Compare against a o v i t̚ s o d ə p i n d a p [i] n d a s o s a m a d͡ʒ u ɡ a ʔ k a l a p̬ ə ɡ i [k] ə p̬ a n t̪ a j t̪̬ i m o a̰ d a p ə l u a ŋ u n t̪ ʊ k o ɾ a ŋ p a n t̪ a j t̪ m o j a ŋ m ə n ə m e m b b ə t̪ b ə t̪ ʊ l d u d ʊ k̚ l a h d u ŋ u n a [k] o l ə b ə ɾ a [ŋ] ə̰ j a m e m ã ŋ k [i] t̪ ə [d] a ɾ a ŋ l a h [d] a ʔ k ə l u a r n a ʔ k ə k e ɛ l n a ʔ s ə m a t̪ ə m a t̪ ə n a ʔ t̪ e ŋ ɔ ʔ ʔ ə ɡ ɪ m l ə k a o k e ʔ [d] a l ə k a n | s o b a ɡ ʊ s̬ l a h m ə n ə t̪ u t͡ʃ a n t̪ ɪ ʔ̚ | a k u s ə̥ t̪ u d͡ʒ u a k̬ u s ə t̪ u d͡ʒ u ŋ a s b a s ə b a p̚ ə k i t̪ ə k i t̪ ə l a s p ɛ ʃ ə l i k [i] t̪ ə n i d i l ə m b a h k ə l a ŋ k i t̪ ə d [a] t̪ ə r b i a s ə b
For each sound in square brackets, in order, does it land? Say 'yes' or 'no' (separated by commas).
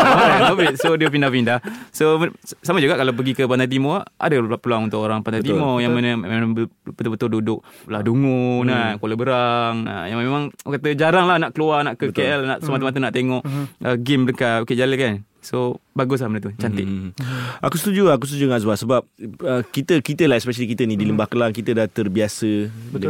yes, yes, yes, yes, no, no, no, no, yes, yes